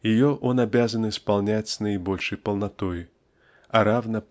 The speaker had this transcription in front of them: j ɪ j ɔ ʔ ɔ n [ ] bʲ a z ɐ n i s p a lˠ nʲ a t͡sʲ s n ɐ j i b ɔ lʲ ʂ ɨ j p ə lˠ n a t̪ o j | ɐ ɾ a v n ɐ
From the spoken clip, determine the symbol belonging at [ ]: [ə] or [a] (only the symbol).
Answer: a